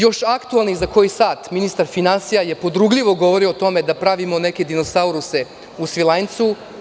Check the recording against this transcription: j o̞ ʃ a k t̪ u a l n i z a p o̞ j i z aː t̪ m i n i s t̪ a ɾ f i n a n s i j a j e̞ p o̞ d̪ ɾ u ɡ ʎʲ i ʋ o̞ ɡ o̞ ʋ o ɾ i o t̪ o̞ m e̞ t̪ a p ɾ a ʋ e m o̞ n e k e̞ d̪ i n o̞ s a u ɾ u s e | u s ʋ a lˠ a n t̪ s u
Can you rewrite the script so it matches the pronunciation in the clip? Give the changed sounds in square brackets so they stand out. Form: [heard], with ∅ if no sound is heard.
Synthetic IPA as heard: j o̞ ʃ a k t̪ u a l n i z a [k] o̞ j i [s] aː t̪ m i n i s t̪ a ɾ f i n a n s i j a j e̞ p o̞ d̪ ɾ u ɡ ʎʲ i ʋ o̞ ɡ o̞ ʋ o ɾ i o t̪ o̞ m e̞ [d̪] a p ɾ a ʋ [i] m o̞ n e k e̞ d̪ i n o̞ s a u ɾ u s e | u s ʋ [i] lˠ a n t̪ s u